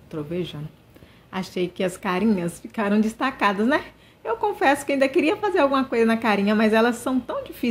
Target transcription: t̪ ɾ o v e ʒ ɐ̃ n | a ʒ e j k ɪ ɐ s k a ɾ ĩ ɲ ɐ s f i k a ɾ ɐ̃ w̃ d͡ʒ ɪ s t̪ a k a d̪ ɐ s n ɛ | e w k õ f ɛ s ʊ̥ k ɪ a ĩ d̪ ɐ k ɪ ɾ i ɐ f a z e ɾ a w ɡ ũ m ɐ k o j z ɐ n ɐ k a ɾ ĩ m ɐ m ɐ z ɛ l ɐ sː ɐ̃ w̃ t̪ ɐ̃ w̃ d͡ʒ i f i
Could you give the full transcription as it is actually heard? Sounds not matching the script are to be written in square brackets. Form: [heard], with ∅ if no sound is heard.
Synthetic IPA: t̪ ɾ o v e ʒ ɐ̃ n | a [ʃ] e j k ɪ ɐ s k a ɾ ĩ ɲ ɐ s f i k a ɾ ɐ̃ w̃ d͡ʒ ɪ s t̪ a k a d̪ ɐ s n ɛ | e w k õ f ɛ s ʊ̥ k ɪ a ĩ d̪ ɐ k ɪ ɾ i ɐ f a z e ɾ a w ɡ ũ m ɐ k o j z ɐ n ɐ k a ɾ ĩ [ɲ] ɐ m ɐ z ɛ l ɐ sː ɐ̃ w̃ t̪ ɐ̃ w̃ d͡ʒ i f i